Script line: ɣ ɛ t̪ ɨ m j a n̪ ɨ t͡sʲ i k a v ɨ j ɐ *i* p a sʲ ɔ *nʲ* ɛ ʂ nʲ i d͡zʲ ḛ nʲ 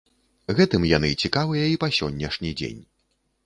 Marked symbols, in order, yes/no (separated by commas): yes, no